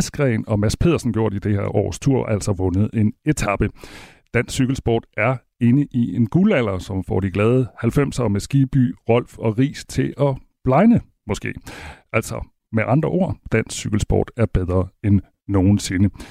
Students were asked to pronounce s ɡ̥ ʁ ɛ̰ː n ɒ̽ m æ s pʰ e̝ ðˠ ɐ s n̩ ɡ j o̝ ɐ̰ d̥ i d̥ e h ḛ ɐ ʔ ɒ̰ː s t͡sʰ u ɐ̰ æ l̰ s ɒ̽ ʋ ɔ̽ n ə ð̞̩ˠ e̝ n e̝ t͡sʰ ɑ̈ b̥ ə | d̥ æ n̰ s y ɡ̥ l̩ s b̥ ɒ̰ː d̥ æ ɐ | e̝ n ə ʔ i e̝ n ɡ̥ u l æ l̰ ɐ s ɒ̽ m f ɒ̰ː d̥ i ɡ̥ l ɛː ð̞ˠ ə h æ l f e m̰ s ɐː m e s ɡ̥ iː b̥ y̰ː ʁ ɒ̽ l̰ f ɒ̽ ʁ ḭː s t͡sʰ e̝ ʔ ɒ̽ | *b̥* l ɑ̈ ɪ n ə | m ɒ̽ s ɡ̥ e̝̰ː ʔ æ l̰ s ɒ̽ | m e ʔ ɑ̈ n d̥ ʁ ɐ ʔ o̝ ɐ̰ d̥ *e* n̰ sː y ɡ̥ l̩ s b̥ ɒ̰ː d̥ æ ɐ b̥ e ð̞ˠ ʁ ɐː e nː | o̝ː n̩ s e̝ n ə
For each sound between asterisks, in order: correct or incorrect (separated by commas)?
correct, incorrect